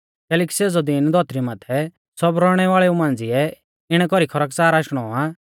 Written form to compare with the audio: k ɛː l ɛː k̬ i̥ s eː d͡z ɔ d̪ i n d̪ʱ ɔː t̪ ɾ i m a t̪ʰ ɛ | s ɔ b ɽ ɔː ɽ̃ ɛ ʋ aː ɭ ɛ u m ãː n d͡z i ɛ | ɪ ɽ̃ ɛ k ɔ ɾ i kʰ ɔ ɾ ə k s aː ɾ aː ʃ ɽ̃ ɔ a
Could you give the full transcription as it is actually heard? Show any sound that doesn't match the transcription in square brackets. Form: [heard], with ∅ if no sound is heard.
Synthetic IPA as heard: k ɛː l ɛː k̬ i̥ s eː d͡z ɔ d̪ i n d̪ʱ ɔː t̪ ɾ i m a t̪ʰ ɛ | s ɔ b [ɾ] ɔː ɽ̃ ɛ ʋ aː ɭ ɛ u m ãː n d͡z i ɛ | ɪ ɽ̃ ɛ k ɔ ɾ i kʰ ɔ ɾ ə k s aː ɾ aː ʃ ɽ̃ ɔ a